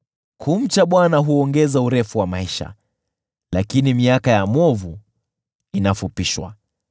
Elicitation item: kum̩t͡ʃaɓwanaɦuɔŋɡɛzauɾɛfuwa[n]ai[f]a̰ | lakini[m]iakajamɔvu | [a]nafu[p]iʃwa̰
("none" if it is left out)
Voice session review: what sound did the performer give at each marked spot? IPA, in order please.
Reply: m, ʃ, m, i, p

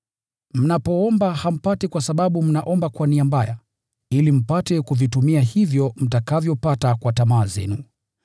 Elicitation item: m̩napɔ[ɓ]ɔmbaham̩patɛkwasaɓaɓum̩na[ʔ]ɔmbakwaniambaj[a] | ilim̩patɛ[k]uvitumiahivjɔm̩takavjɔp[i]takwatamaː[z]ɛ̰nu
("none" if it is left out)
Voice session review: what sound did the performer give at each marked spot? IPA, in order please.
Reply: none, ʔ, a, k, a, z

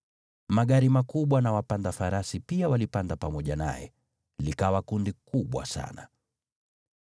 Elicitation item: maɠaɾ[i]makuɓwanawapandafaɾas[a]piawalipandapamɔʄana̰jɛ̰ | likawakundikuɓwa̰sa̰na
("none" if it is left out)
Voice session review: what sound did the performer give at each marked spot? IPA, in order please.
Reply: i, i

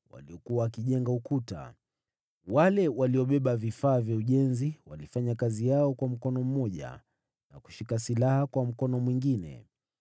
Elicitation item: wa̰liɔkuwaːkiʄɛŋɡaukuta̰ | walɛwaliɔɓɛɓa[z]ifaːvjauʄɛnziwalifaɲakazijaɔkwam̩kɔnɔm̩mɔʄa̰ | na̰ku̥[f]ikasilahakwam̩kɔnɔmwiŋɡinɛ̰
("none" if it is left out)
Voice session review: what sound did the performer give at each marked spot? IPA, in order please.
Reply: v, ʃ

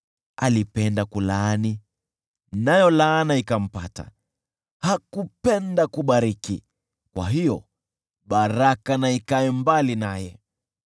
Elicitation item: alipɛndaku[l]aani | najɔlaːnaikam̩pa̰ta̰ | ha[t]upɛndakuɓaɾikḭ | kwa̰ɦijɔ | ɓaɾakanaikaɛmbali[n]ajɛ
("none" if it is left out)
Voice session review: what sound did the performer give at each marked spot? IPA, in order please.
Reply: l, k, n

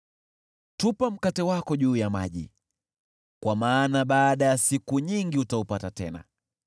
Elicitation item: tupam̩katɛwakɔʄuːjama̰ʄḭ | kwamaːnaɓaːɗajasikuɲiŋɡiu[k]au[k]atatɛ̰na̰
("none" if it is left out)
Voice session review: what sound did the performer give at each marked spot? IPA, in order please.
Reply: t, p

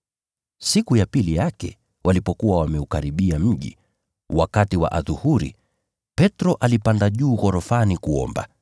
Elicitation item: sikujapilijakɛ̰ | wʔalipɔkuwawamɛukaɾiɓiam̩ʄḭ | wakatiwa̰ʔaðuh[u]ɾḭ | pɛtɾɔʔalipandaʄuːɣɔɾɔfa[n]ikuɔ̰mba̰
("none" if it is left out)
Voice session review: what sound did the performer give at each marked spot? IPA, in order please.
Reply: u, n

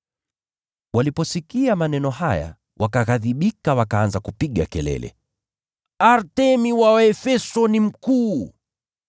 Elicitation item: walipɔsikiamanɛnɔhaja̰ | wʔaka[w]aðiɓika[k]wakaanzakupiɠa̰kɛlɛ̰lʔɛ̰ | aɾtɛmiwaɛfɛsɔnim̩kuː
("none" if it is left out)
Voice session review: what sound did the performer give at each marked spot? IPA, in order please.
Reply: ɣ, none

